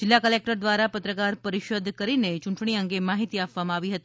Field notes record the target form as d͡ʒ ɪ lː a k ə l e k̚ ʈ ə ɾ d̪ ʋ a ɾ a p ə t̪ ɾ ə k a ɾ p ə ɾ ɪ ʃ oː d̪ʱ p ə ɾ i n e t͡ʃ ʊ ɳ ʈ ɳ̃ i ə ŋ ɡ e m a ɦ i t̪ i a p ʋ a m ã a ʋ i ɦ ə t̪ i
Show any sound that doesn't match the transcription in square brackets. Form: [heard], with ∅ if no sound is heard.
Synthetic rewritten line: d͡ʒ ɪ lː a k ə l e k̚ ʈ ə ɾ d̪ ʋ a ɾ a p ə t̪ ɾ ə k a ɾ p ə ɾ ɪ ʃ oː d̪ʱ [k] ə ɾ i n e t͡ʃ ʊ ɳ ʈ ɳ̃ i ə ŋ ɡ e m a ɦ i t̪ i a p ʋ a m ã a ʋ i ɦ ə t̪ i